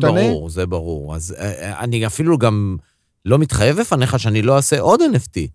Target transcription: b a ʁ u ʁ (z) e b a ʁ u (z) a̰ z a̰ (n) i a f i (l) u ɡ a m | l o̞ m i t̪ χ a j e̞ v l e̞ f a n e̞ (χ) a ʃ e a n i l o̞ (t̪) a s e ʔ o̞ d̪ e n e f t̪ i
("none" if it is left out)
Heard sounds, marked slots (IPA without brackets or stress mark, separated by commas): z, ʁ, n, l, χ, none